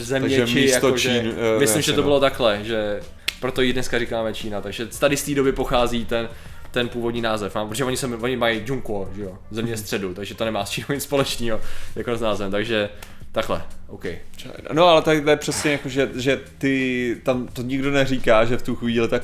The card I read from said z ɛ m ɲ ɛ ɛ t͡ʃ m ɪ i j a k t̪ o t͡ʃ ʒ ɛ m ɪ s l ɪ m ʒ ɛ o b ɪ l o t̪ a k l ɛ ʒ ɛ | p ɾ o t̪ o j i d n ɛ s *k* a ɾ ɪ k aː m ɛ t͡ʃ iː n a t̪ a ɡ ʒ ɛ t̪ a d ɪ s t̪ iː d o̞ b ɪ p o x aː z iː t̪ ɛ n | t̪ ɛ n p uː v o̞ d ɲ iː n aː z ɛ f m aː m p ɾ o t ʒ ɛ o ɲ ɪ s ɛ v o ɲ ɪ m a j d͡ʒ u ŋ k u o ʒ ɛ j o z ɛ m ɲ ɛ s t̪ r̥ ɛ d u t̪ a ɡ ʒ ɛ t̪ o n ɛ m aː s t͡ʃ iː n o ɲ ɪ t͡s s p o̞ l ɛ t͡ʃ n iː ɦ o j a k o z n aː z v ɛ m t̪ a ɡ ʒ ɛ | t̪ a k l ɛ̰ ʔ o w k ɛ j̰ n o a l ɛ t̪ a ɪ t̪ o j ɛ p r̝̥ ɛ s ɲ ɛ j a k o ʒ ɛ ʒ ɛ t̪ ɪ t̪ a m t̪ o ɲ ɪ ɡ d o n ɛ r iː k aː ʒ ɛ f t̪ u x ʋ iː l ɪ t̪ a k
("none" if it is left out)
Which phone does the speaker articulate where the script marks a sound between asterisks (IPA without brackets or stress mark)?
k